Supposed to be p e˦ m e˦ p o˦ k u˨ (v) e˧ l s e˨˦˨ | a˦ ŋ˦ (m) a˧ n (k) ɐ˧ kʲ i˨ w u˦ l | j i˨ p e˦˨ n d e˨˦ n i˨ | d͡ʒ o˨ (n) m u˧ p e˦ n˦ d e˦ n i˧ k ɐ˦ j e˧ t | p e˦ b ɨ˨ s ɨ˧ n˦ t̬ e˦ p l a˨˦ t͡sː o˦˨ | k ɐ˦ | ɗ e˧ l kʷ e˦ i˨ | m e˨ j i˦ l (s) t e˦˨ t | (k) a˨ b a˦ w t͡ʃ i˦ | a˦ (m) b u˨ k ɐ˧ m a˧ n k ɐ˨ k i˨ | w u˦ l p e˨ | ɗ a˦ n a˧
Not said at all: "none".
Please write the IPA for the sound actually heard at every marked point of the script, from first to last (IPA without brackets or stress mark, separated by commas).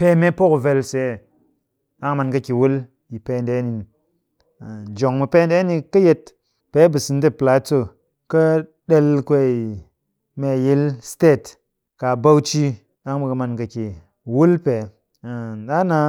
v, m, k, ŋ, s, k, ŋ